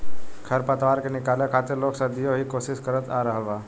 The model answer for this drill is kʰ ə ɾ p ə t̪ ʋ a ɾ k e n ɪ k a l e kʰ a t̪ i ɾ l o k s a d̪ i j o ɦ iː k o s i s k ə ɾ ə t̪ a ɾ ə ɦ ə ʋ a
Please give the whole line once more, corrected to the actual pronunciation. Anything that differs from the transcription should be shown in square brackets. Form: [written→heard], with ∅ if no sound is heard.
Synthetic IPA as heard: kʰ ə ɾ p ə t̪ ʋ a ɾ k e n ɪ k a l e kʰ a t̪ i ɾ l o k s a d̪ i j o ɦ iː k o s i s k ə ɾ ə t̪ a ɾ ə ɦ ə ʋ a